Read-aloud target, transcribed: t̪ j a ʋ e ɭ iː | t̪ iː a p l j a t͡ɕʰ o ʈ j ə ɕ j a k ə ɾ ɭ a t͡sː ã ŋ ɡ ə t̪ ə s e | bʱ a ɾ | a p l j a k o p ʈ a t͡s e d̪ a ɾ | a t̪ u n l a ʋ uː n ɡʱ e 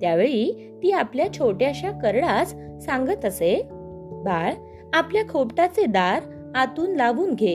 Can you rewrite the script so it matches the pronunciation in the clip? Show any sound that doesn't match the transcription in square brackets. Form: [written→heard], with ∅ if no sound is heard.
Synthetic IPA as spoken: t̪ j a ʋ e ɭ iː | t̪ iː a p l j a t͡ɕʰ o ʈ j [ə→a] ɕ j a k ə ɾ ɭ a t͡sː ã ŋ ɡ ə t̪ ə s e | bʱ a [ɾ→ɭ] | a p l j a [k→kʰ] o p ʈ a t͡s e d̪ a ɾ | a t̪ [u→uː] n l a ʋ uː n ɡʱ e